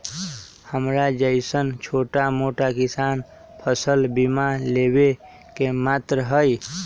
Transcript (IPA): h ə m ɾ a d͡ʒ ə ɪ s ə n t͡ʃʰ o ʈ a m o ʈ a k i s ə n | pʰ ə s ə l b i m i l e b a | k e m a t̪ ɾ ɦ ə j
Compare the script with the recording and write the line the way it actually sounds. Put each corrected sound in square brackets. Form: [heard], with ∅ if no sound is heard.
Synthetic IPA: h ə m ɾ a d͡ʒ ə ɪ s ə n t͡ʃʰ o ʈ a m o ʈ a k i s [a] n | pʰ ə s ə l b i m [a] l e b [e] | k e m a t̪ ɾ ɦ ə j

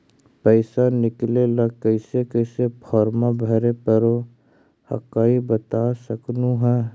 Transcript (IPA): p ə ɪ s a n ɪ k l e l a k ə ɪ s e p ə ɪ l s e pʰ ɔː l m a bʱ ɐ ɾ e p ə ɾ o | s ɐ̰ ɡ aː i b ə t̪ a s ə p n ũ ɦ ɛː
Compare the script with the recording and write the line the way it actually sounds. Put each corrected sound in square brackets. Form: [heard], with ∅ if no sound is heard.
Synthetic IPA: p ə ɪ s a n ɪ k l e l a k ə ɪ s e [k] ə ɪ [∅] s e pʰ ɔː [ɾ] m a bʱ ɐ ɾ e p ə ɾ o | [h] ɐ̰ [k] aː i b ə t̪ a s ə [k] n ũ ɦ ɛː

